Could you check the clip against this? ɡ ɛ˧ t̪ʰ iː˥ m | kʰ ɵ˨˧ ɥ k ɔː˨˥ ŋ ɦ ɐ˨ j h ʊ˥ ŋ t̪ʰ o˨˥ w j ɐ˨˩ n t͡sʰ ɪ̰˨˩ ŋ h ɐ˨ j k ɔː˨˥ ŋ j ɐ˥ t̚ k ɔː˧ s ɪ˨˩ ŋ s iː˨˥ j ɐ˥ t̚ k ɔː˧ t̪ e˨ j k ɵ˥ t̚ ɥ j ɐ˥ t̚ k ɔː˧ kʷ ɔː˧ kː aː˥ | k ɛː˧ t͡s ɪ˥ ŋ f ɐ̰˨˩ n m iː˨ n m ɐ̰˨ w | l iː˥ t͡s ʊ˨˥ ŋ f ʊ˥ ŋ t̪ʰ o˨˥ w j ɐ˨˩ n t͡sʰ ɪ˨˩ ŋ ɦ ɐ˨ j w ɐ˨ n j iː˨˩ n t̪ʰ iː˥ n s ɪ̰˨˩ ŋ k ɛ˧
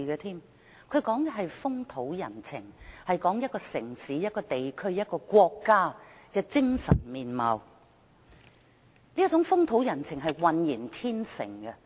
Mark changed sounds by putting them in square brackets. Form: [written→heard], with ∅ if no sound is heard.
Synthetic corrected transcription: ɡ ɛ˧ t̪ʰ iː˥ m | kʰ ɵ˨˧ ɥ k ɔː˨˥ ŋ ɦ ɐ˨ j [h→f] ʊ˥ ŋ t̪ʰ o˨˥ w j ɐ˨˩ n t͡sʰ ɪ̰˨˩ ŋ h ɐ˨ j k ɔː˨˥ ŋ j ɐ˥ t̚ k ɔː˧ s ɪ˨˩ ŋ s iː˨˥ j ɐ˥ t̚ k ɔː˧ t̪ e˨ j [k→kʰ] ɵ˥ [t̚→∅] ɥ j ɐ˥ t̚ k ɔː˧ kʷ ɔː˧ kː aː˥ | k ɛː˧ t͡s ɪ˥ ŋ [f→s] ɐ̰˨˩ n m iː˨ n m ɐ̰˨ w | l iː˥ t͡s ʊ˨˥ ŋ f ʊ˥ ŋ t̪ʰ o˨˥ w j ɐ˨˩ n t͡sʰ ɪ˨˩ ŋ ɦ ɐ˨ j w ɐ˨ n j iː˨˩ n t̪ʰ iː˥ n s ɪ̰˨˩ ŋ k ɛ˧